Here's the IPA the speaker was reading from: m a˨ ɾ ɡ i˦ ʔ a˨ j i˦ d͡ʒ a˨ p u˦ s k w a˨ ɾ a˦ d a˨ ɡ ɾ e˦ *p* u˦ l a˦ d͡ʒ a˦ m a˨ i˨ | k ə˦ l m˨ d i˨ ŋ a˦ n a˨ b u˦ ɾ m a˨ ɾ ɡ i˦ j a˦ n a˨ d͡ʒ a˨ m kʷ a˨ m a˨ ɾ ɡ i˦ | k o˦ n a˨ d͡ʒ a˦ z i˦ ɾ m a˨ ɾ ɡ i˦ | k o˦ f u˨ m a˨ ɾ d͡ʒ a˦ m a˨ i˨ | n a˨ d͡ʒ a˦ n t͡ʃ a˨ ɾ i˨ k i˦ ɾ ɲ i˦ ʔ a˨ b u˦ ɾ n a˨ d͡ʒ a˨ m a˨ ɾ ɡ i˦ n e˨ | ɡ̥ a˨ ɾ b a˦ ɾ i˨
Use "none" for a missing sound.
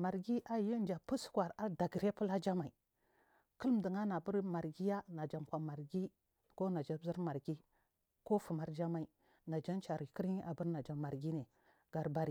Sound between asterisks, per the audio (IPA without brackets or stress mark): p